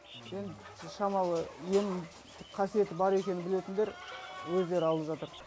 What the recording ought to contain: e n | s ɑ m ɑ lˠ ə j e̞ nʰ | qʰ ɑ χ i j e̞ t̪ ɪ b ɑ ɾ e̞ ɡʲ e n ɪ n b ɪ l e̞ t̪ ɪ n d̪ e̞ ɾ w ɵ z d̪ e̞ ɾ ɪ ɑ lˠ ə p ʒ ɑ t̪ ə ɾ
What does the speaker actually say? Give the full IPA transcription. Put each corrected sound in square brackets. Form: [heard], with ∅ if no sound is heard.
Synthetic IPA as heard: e n | [ʃ] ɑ m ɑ lˠ ə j e̞ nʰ | qʰ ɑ [s] i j e̞ t̪ ɪ b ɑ ɾ e̞ [kʲ] e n ɪ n b ɪ l e̞ t̪ ɪ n d̪ e̞ ɾ w ɵ z d̪ e̞ ɾ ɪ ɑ lˠ ə p ʒ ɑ t̪ ə ɾ

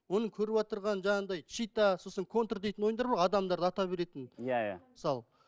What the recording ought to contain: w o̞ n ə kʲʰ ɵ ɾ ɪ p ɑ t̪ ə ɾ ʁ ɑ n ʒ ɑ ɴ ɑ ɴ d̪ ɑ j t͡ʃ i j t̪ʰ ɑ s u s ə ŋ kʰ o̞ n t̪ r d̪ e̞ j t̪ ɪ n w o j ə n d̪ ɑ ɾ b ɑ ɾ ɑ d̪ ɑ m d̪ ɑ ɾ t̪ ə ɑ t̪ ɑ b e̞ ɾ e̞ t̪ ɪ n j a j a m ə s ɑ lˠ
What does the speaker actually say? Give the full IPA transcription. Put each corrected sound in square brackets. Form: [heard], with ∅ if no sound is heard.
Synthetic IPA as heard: w o̞ n ə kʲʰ ɵ ɾ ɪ p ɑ t̪ ə ɾ ʁ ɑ n ʒ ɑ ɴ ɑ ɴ d̪ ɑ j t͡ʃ i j [t̪] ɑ s [o] s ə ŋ kʰ o̞ n t̪ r d̪ e̞ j t̪ ɪ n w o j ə n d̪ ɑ ɾ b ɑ ɾ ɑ d̪ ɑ m d̪ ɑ ɾ [d̪] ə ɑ t̪ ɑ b e̞ ɾ e̞ t̪ ɪ n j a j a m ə s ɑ lˠ

